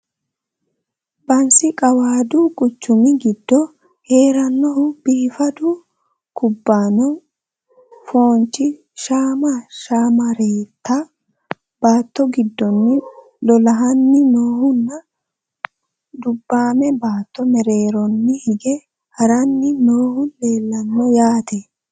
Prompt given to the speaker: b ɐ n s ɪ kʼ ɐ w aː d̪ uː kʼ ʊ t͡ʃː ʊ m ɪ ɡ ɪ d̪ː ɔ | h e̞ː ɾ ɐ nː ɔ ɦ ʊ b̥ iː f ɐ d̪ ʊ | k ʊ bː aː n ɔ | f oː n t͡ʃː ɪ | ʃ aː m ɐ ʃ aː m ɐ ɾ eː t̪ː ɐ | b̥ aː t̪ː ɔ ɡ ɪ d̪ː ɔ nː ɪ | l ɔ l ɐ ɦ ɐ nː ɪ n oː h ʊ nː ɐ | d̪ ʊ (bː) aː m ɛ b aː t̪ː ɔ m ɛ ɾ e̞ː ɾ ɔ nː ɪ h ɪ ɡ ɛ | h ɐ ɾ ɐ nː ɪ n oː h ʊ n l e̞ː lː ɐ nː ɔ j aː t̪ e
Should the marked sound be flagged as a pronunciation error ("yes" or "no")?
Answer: no